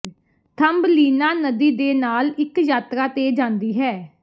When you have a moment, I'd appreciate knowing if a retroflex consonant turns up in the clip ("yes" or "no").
no